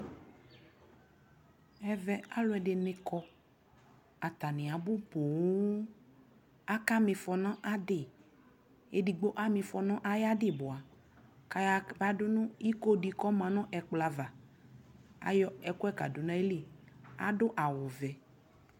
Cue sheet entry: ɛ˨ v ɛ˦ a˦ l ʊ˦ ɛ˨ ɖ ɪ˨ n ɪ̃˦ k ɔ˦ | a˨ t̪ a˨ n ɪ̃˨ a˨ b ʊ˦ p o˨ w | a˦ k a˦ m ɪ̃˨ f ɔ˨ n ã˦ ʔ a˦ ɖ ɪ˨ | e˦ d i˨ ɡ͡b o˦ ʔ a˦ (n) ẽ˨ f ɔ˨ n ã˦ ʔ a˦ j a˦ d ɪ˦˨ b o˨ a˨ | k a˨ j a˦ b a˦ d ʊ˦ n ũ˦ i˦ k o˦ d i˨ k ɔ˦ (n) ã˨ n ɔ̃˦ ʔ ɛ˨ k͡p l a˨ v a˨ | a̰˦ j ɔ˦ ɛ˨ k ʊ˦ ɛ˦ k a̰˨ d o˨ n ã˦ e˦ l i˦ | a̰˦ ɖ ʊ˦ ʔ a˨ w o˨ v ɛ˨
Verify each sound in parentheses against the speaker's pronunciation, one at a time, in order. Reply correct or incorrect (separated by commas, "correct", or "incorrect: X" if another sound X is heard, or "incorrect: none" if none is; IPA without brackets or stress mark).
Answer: incorrect: m, incorrect: m